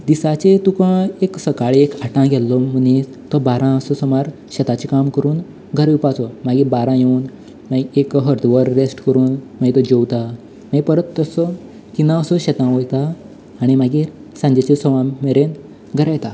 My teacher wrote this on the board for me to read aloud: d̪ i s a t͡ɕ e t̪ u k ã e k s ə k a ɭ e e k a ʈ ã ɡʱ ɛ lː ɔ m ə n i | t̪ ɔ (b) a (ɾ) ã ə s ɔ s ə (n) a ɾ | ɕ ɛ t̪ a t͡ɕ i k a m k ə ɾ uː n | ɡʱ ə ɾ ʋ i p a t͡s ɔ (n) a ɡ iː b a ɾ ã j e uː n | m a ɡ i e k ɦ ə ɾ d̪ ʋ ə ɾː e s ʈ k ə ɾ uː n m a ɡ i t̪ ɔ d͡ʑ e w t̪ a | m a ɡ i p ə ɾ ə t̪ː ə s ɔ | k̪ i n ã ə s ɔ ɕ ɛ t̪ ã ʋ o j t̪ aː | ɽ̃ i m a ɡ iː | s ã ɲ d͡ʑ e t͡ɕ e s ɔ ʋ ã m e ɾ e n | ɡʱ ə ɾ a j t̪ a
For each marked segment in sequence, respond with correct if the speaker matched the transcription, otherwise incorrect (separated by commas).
correct, correct, incorrect, incorrect